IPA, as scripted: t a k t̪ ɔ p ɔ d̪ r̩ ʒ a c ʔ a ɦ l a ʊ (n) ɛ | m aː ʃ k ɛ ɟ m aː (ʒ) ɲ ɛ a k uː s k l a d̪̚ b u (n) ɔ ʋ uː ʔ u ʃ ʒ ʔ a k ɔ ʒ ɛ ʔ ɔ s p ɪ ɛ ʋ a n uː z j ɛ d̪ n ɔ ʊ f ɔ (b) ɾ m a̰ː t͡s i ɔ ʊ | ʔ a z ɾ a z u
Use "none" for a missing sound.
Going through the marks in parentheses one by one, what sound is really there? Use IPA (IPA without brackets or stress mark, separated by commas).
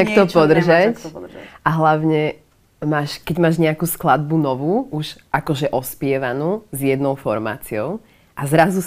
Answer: ɲ, ʒ, n, none